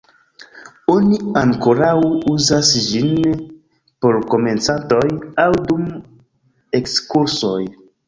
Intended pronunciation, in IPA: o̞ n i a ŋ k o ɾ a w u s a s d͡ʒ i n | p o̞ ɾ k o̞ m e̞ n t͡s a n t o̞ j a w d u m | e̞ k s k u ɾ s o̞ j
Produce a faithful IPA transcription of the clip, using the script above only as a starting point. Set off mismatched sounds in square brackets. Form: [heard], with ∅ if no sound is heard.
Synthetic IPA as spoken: o̞ n i a ŋ k o ɾ a w u [z] a s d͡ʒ i n | p o̞ ɾ k o̞ m e̞ n t͡s a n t o̞ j a w d u m | e̞ k s k u ɾ s o̞ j